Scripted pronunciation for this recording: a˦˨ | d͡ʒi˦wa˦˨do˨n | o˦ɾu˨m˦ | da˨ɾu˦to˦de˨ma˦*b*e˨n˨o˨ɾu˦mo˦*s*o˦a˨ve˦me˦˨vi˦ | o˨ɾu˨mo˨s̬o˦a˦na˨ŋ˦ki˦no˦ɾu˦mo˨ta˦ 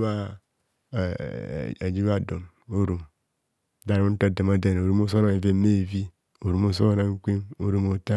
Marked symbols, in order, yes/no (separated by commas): no, yes